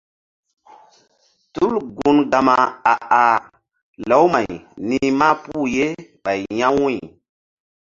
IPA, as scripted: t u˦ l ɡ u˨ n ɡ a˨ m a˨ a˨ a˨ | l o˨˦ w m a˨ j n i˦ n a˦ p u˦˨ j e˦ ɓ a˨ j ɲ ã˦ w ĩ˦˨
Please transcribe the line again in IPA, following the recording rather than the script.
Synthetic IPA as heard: t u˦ l ɡ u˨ n ɡ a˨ m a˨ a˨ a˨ | l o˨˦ w m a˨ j n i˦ m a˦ p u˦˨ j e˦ ɓ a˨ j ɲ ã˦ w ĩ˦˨

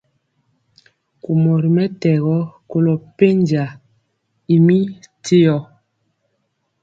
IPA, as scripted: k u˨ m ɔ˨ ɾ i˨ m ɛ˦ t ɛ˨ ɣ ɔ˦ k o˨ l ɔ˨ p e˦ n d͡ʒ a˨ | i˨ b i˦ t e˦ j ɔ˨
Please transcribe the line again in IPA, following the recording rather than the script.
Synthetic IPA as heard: k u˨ m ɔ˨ ɾ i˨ m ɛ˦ t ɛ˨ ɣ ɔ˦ k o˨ l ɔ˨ p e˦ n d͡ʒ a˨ | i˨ m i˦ t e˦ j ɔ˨

